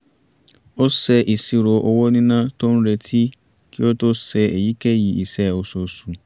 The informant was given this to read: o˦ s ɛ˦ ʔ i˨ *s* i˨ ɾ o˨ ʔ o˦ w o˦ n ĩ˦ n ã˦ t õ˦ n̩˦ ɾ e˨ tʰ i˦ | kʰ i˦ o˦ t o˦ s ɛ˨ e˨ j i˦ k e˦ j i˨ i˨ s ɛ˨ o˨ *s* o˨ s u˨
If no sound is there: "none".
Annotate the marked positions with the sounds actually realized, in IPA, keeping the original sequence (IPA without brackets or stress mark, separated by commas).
s, s